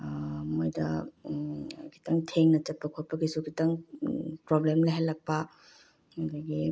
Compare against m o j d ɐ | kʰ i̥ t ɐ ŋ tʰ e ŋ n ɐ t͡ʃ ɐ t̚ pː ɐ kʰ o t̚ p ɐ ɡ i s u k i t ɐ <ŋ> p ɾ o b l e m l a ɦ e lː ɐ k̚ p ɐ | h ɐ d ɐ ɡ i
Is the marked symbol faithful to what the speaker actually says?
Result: yes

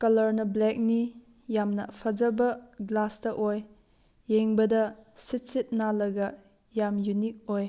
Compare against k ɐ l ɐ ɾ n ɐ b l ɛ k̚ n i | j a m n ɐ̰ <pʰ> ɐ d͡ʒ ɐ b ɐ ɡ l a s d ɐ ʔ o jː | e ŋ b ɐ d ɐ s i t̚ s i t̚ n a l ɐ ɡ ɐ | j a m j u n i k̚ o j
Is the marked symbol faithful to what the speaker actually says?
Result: yes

